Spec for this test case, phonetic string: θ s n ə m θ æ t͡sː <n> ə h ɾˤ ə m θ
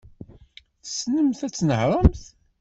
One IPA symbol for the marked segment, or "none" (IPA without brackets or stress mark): n